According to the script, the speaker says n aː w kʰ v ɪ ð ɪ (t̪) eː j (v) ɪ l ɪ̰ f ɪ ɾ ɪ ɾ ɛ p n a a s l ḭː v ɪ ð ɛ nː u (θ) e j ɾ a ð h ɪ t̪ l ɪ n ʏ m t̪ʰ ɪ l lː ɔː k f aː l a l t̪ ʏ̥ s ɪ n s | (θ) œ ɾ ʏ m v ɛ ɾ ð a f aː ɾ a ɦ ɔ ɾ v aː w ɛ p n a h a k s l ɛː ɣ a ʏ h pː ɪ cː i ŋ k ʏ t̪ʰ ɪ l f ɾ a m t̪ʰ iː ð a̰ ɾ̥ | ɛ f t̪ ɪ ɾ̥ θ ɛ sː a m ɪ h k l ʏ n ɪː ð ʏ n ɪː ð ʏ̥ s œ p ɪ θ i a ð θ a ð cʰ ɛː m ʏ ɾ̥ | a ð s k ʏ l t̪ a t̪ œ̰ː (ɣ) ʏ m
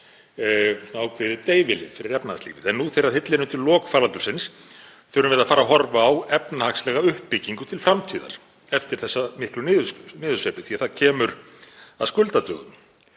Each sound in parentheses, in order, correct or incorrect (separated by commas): correct, correct, correct, correct, correct